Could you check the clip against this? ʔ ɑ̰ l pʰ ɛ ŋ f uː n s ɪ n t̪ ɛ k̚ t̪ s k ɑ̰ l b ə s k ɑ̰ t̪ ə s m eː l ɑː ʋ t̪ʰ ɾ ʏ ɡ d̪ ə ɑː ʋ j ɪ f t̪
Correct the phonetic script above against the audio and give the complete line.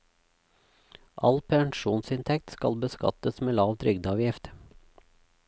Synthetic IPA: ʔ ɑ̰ l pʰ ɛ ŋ ʃ uː n s ɪ n t̪ʰ ɛ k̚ t̪ s k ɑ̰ l b ə s k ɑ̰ t̪ ə s m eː l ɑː ʋ t̪ʰ ɾ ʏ ɡ d̪ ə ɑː ʋ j ɪ f t̪